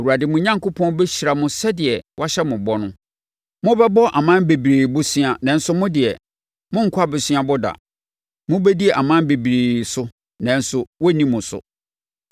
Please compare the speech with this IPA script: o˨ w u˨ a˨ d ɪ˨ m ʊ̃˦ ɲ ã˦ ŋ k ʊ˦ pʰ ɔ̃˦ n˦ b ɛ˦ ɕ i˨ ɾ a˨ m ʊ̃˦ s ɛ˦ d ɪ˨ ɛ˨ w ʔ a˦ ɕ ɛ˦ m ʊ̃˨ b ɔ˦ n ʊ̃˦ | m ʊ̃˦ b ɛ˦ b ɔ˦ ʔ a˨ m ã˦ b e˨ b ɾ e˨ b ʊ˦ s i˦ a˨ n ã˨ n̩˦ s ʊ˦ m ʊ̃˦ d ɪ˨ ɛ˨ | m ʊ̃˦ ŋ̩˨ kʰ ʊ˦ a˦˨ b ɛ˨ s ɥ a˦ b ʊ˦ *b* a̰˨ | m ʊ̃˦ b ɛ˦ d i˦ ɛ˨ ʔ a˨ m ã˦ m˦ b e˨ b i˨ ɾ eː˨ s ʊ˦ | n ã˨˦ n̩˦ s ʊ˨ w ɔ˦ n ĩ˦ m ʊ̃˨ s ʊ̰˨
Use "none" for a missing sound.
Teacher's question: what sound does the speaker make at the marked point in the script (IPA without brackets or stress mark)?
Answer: d